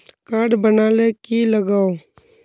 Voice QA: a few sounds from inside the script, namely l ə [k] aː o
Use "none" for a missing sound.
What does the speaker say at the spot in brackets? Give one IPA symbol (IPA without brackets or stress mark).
ɡ